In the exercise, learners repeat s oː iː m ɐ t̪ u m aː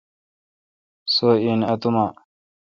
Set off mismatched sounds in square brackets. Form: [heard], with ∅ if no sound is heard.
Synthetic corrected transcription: s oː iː [n] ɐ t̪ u m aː